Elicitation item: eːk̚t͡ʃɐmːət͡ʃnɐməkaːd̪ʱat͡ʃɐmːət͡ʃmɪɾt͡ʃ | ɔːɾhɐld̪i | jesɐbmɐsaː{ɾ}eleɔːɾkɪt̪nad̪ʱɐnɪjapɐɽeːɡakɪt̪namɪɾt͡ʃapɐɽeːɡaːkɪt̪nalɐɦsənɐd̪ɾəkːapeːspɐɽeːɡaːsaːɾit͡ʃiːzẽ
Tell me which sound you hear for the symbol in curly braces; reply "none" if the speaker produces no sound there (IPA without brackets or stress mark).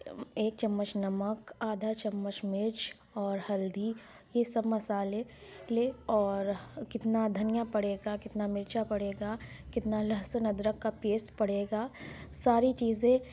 l